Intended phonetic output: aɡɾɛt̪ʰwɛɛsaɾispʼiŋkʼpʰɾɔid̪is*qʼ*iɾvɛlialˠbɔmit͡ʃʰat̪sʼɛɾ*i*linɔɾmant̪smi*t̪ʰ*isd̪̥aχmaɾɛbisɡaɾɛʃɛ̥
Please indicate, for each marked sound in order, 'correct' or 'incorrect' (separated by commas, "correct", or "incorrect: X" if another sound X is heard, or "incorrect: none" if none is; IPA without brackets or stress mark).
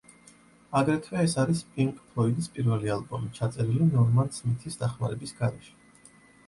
incorrect: pʼ, correct, correct